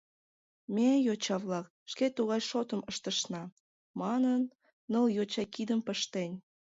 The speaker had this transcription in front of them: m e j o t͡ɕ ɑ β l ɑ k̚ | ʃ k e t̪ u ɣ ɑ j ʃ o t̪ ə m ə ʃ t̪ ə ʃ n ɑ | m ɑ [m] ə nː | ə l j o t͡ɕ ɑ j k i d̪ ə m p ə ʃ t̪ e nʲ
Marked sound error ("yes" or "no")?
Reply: yes